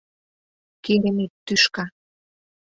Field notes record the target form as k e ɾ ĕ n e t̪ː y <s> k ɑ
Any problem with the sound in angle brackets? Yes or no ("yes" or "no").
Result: yes